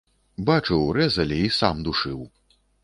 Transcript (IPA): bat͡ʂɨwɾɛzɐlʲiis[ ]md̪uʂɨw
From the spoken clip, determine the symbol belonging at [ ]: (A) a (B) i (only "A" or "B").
A